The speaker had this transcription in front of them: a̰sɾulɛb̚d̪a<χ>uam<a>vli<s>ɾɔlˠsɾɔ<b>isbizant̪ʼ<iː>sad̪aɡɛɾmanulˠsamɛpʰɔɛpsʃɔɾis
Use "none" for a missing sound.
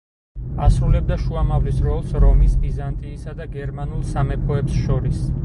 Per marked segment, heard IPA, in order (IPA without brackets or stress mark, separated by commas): ʃ, a, s, m, iː